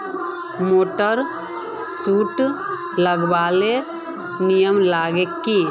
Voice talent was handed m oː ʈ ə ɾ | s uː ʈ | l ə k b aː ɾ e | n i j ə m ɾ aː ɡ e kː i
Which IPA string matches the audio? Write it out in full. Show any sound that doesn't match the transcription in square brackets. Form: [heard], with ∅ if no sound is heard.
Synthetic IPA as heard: m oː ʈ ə ɾ | s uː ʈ | l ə [ɡ] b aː [l] e | n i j ə m [l] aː ɡ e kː i